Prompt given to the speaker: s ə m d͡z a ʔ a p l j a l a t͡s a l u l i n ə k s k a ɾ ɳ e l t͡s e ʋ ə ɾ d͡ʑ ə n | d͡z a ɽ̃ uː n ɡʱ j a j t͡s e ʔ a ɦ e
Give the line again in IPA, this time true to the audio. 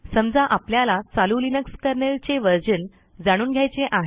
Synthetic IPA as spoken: s ə m d͡z a ʔ a p l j a l a t͡s a l u l i n ə k s k ə ɾ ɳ e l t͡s e ʋ ə ɾ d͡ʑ ə n | d͡z a ɽ̃ uː n ɡʱ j a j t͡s e ʔ a ɦ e